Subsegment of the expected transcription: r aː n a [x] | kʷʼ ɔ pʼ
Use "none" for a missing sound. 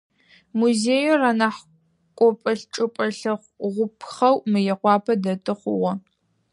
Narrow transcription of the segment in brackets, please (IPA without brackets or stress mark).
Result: ħ